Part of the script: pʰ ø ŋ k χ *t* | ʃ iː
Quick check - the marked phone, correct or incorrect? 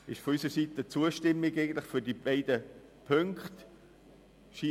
correct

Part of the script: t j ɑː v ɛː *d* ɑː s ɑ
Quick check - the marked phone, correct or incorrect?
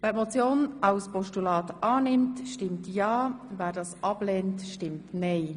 correct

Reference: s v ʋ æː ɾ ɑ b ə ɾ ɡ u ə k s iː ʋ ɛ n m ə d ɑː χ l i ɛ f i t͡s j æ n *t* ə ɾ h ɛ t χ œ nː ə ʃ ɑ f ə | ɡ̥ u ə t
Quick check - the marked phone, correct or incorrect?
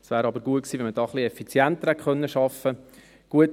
correct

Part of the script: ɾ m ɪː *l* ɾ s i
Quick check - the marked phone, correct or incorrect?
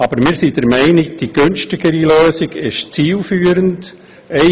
incorrect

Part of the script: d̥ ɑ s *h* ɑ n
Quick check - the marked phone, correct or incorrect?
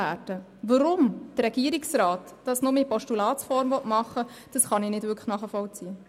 incorrect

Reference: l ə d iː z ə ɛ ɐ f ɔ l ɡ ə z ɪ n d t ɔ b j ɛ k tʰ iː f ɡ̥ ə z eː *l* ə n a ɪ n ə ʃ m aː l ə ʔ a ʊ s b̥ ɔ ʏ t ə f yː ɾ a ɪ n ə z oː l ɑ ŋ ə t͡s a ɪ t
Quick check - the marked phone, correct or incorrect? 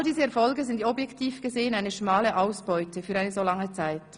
incorrect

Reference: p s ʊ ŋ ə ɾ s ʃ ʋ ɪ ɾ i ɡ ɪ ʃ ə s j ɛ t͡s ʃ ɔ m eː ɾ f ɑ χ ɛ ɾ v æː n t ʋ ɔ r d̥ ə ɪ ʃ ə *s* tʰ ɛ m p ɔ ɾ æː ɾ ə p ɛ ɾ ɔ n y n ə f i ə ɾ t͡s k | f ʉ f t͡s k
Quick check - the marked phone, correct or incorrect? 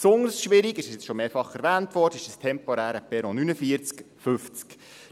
correct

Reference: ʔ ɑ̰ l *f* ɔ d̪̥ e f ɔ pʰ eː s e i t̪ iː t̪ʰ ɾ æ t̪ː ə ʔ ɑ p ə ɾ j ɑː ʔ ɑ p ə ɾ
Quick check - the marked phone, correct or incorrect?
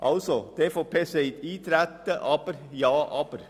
incorrect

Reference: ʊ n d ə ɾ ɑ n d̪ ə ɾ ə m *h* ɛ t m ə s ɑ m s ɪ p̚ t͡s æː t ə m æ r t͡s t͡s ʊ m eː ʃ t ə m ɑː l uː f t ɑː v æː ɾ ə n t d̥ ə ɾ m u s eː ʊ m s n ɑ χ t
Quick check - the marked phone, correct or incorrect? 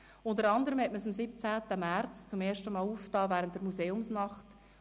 correct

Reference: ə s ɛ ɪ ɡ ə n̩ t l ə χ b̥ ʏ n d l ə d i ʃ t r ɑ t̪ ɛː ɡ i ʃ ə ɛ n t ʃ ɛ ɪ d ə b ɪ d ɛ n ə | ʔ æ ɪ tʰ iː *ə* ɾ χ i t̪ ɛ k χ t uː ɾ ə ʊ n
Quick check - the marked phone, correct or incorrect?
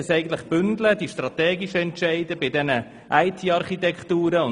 incorrect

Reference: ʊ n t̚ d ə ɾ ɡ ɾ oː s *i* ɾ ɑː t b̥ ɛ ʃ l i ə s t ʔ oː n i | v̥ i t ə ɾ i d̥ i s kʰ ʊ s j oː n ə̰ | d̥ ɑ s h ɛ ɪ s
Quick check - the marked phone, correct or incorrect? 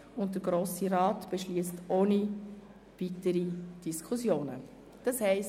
correct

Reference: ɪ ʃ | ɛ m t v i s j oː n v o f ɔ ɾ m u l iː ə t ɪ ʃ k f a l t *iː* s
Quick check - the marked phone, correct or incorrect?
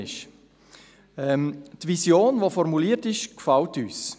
incorrect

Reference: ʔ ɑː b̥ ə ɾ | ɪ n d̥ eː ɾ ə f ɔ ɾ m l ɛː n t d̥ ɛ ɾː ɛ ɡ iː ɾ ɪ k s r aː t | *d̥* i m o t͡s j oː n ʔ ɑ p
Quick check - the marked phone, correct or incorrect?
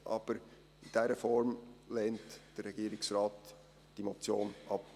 correct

